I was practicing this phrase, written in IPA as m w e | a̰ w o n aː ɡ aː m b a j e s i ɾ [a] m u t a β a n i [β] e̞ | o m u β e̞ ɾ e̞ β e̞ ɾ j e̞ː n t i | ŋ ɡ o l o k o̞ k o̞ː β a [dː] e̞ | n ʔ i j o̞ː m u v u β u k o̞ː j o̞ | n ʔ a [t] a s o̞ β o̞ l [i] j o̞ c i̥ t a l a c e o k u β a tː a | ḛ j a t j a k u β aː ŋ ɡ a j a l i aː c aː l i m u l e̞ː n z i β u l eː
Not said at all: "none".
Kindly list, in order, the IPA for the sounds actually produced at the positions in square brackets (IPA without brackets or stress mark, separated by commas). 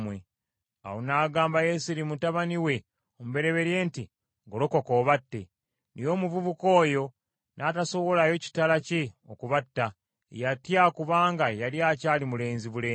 i, w, tː, t, a